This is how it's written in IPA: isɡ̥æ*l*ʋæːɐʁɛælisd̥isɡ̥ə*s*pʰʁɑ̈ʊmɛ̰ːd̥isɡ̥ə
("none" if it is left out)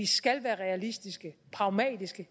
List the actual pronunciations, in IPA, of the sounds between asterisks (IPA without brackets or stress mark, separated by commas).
l, none